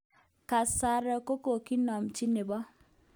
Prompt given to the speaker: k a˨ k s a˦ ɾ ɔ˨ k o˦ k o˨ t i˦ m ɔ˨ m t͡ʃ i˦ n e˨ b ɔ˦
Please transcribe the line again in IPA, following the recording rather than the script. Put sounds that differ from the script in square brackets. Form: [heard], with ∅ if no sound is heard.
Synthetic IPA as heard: k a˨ [∅] s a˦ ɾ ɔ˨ k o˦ k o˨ [k] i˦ [n] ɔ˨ m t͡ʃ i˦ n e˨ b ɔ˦

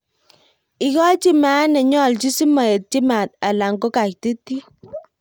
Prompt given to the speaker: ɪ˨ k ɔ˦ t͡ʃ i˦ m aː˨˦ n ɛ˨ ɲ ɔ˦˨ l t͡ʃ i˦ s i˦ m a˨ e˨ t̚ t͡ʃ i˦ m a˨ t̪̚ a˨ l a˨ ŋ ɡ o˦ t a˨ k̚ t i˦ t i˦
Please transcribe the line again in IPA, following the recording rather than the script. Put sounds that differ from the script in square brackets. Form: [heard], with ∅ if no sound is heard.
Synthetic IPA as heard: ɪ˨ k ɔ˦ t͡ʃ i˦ m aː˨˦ n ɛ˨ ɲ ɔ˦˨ l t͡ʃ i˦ s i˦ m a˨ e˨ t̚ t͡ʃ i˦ m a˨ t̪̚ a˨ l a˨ ŋ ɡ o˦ [k] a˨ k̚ t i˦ t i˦

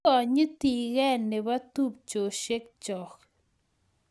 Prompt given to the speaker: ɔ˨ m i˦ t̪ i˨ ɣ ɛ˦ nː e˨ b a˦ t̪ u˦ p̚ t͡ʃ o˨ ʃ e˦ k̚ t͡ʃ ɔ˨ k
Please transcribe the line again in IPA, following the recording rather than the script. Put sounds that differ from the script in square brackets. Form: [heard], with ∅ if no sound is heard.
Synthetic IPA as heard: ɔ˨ [ɲ] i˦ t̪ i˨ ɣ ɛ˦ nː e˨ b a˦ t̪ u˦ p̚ t͡ʃ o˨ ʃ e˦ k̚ t͡ʃ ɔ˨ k

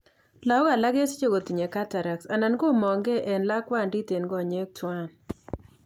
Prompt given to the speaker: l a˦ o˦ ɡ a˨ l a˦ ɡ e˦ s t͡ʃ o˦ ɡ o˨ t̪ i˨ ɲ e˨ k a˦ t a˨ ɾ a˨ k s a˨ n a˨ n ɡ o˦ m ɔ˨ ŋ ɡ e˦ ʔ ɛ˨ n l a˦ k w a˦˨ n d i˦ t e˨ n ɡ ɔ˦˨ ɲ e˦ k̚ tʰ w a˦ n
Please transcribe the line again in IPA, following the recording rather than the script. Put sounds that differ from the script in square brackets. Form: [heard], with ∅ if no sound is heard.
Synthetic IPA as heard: l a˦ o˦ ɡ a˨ l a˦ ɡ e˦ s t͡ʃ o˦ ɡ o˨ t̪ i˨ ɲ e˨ k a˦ t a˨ ɾ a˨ k s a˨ n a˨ n ɡ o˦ m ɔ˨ ŋ ɡ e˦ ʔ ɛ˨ n l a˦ k w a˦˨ n d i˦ t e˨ n ɡ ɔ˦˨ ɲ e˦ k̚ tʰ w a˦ n

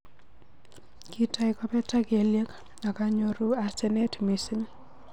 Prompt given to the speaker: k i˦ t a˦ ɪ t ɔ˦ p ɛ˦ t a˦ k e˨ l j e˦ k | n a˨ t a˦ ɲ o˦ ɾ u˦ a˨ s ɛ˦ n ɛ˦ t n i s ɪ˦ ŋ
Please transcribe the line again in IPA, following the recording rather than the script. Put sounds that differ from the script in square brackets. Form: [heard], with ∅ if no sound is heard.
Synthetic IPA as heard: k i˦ t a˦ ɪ [k] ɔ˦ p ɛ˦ t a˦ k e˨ l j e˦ k | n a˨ [k] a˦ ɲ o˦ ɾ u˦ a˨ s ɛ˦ n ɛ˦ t [m] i s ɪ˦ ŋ

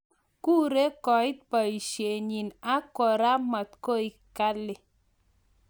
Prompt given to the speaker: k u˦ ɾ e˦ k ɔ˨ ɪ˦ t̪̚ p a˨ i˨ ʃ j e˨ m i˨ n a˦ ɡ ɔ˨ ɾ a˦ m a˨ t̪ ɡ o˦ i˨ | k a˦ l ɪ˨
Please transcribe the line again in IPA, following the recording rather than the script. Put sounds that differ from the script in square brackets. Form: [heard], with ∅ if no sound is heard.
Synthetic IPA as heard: k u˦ ɾ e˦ k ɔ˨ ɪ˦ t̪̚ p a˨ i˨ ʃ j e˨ [ɲ] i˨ n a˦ [k] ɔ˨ ɾ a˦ m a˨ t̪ [k] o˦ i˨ | k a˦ l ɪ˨

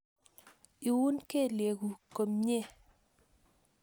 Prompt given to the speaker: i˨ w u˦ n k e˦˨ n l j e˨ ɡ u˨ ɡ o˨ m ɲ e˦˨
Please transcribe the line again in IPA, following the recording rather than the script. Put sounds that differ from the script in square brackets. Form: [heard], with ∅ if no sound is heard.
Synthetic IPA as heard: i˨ w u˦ n k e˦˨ [∅] l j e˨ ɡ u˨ [k] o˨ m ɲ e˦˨

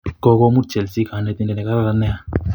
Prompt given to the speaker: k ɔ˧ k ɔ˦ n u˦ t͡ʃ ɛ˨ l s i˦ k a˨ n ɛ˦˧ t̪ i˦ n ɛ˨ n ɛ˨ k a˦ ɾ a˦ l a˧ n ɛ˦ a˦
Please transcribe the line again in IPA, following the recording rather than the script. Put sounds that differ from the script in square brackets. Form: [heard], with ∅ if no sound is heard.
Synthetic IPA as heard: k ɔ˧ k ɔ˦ [m] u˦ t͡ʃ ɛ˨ l s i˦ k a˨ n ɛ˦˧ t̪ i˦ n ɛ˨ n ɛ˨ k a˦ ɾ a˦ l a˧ n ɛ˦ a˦

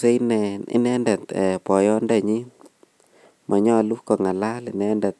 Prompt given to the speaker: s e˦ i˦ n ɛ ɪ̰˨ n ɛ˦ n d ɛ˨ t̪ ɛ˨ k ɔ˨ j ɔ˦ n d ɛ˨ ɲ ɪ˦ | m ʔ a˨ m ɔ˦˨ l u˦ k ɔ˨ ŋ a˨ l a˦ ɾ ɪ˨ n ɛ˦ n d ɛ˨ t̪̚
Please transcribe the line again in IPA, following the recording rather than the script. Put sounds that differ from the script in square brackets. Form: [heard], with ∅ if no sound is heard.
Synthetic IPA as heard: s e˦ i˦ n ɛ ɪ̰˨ n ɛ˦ n d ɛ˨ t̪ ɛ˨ [p] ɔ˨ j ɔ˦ n d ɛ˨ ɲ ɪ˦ | m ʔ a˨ [ɲ] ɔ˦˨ l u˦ k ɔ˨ ŋ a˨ l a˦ [l] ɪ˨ n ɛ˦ n d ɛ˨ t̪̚

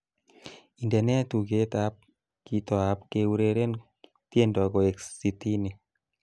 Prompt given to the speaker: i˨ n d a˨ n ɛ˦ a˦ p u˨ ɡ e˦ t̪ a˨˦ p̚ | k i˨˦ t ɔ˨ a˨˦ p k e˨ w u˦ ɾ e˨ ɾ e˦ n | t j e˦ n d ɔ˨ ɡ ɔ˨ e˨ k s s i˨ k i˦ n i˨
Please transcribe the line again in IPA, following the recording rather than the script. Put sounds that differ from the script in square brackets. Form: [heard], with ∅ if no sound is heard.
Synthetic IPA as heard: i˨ n d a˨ n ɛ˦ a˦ [t] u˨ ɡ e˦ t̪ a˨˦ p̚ | k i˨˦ t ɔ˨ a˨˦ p k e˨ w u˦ ɾ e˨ ɾ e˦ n | t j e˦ n d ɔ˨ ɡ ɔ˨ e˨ k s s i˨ [t] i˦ n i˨

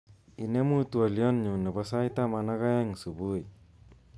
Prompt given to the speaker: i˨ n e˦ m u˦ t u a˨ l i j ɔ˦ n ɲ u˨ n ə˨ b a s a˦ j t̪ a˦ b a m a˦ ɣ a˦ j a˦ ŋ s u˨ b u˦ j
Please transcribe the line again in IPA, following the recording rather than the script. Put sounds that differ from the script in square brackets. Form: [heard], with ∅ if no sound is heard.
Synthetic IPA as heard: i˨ n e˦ m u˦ t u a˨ l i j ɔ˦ n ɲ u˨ n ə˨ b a s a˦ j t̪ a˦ [m] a [n] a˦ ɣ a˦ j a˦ ŋ s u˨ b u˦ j

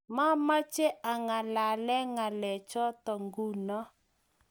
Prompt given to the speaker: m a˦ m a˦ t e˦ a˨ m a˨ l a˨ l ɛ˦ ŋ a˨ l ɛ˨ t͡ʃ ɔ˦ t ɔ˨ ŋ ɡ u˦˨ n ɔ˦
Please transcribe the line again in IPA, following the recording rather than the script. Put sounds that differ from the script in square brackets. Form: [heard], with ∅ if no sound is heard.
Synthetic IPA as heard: m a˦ m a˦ [t͡ʃ] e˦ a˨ [ŋ] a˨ l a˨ l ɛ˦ ŋ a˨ l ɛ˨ t͡ʃ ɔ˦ t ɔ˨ ŋ ɡ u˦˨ n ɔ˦

